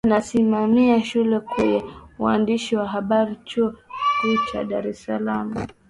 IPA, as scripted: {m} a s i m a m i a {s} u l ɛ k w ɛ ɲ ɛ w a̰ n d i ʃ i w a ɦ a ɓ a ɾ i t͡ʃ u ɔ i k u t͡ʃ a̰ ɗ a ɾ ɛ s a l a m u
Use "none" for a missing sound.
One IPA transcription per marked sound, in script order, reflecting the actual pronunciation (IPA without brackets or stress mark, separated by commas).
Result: n, ʃ